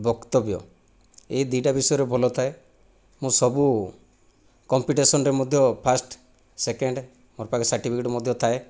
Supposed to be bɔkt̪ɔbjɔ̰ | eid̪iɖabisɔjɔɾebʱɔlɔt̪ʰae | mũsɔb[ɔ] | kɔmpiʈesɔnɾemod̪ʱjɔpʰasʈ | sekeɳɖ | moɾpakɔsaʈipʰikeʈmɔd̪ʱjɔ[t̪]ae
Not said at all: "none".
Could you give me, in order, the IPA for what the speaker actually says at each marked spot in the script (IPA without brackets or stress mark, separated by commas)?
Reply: u, t̪ʰ